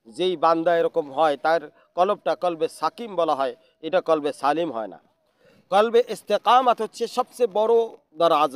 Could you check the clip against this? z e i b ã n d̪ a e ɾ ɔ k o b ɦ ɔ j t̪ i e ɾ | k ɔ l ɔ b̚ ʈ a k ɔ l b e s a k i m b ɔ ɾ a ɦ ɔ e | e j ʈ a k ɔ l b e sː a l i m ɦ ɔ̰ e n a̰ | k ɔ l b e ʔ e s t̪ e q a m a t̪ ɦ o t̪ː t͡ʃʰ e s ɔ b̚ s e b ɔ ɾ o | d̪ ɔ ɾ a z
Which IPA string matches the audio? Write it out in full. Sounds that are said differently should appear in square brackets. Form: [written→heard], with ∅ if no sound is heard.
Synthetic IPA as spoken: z e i b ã n d̪ a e ɾ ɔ k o [b→m] ɦ ɔ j t̪ [i→a] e ɾ | k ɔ l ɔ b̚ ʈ a k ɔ l b e s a k i m b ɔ [ɾ→l] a ɦ ɔ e | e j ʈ a k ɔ l b e [sː→s] a l i m ɦ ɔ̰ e n a̰ | k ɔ l b e ʔ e s t̪ e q a m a t̪ ɦ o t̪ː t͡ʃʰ e s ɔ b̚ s e b ɔ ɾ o | d̪ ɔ ɾ a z